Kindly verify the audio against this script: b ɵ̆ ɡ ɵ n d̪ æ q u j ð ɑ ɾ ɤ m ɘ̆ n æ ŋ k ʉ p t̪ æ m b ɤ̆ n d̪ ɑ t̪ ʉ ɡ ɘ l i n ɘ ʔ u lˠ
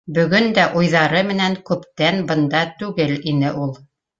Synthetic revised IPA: b ɵ̆ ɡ ɵ n d̪ æ ʔ u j ð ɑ ɾ ɤ m ɘ̆ n æ ŋ k ʉ p t̪ æ n b ɤ̆ n d̪ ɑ t̪ ʉ ɡ ɘ l i n ɘ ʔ u lˠ